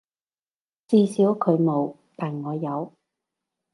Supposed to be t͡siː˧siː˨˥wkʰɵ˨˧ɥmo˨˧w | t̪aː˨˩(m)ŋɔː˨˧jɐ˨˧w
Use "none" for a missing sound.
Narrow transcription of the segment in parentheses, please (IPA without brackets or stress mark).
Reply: n